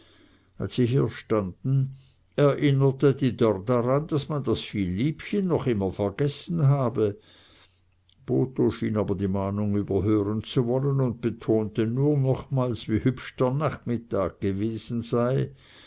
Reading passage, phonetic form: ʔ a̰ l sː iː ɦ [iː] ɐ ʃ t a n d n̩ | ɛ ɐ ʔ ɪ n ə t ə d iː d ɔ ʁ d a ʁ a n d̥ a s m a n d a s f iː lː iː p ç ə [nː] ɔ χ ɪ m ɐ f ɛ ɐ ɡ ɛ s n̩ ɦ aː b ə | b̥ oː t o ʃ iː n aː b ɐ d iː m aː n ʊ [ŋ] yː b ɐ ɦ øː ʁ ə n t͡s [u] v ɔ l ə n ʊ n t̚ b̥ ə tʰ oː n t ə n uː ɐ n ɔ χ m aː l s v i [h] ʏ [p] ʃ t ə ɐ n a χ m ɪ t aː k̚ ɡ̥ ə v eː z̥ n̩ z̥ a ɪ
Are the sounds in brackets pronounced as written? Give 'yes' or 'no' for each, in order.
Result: yes, yes, yes, yes, yes, yes

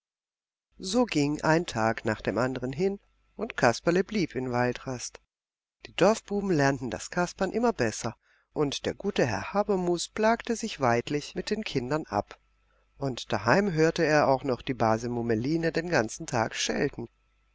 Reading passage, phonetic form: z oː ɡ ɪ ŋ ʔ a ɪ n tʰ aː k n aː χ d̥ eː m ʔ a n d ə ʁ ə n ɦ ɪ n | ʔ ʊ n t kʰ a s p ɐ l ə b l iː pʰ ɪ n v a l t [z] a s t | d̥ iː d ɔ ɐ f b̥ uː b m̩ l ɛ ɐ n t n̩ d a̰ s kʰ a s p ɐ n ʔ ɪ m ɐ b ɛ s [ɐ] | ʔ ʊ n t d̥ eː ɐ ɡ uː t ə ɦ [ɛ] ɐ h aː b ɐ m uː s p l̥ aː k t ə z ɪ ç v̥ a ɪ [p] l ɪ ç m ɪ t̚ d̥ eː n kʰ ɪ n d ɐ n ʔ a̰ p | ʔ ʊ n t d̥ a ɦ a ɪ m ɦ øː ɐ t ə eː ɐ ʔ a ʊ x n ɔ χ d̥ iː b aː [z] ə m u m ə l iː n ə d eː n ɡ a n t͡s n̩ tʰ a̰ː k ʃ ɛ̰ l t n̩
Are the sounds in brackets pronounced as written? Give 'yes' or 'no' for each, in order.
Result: no, yes, yes, no, yes

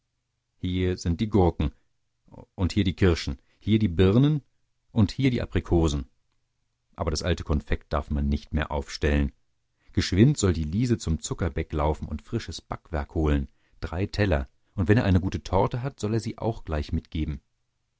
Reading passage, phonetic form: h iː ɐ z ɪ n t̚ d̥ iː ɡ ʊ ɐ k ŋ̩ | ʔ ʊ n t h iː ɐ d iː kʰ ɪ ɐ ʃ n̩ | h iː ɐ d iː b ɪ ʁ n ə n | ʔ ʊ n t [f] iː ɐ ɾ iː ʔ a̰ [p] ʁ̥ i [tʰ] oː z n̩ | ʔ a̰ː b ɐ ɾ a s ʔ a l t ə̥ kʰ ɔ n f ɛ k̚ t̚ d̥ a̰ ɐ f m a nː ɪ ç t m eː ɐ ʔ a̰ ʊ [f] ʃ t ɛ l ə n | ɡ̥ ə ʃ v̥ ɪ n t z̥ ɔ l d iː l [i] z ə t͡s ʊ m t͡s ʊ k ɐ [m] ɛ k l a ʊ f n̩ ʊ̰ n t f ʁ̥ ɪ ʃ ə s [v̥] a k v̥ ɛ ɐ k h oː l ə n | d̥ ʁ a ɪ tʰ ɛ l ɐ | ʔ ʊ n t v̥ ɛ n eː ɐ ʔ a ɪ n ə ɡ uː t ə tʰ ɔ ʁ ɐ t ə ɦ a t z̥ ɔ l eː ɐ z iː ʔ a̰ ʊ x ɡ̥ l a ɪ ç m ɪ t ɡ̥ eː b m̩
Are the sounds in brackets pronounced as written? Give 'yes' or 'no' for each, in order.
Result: no, yes, no, yes, no, no, no

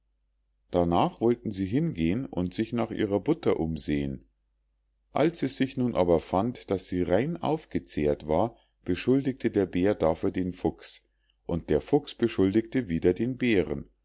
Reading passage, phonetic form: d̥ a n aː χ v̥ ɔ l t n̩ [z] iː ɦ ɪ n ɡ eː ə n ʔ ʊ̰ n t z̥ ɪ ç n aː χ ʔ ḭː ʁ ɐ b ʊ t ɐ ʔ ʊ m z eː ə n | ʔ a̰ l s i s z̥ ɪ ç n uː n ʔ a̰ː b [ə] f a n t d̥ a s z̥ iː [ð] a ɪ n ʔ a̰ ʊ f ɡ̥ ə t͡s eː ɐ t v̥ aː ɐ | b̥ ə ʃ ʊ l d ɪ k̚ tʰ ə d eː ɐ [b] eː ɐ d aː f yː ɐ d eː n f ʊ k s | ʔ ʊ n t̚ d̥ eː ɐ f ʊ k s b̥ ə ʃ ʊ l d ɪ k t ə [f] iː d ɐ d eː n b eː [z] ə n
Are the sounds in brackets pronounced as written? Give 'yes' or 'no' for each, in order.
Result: yes, no, no, yes, no, no

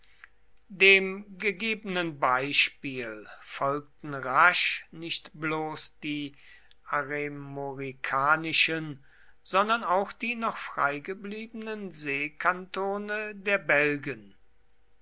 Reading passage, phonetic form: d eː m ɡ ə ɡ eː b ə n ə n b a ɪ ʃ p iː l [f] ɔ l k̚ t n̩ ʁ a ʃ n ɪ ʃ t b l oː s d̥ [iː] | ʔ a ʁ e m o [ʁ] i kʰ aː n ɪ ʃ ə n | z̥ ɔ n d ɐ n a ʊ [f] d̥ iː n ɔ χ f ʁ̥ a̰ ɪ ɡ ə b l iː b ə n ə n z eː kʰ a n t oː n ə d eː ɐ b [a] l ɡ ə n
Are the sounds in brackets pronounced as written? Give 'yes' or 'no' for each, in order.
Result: yes, yes, yes, no, no

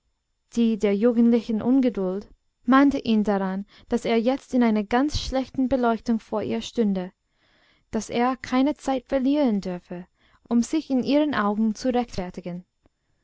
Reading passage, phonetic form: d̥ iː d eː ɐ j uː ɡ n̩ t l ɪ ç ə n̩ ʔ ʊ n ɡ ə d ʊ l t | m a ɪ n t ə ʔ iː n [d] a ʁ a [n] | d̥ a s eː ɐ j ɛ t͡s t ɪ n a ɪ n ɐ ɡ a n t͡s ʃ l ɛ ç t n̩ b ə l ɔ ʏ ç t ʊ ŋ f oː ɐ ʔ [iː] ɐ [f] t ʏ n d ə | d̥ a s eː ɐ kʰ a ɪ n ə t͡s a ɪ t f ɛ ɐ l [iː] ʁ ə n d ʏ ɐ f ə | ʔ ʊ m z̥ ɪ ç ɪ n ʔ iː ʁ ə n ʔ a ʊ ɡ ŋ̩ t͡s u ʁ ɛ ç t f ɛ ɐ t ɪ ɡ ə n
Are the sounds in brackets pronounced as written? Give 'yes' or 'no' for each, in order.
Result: yes, yes, yes, no, yes

